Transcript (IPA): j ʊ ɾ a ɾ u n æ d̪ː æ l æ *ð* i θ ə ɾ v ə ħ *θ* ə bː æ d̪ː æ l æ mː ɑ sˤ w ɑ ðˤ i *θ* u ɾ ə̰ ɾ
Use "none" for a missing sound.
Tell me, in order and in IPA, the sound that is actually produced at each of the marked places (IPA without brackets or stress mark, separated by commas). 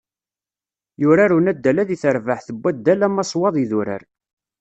ð, θ, ð